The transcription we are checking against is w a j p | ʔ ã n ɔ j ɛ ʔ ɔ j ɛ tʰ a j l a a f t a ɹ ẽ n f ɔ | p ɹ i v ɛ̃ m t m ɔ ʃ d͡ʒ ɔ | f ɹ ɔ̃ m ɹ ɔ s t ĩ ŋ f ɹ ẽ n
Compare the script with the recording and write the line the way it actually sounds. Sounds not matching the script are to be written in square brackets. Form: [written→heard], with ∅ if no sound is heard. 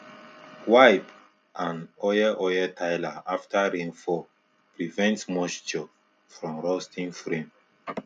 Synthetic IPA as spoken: w a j p | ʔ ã n ɔ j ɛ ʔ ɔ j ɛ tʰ a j l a a f t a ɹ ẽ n f ɔ | p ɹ i v ɛ̃ [m→n] t m ɔ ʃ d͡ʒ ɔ | f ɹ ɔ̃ m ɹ ɔ s t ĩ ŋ f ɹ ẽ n